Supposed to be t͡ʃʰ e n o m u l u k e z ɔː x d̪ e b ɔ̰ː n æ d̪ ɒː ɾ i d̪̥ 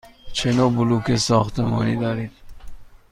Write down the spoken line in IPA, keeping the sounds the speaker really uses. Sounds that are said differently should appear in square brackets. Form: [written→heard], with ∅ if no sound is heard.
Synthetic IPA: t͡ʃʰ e n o [m→b] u l u k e [z→s] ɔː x [d̪→t̪] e [b→m] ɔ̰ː n [æ→i] d̪ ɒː ɾ i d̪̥